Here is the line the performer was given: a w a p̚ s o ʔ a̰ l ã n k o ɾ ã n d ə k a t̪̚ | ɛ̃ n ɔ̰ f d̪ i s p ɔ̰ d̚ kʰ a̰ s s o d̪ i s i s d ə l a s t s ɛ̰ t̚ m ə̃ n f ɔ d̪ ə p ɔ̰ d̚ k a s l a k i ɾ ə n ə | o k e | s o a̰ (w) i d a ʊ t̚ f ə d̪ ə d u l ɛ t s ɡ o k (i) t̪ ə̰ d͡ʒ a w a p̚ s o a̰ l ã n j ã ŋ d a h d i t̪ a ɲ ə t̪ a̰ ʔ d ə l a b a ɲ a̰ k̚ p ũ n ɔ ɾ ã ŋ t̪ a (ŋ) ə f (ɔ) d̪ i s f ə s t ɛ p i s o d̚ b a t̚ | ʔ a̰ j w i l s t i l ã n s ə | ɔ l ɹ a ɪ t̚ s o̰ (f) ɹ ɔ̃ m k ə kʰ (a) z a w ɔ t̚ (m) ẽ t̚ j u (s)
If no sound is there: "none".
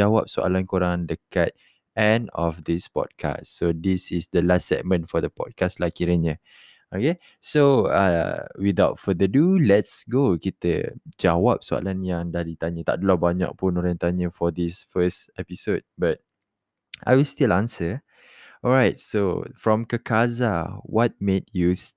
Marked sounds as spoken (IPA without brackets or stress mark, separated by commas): w, i, ɲ, ɔ, f, a, m, s